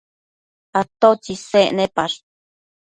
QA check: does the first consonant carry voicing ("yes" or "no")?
no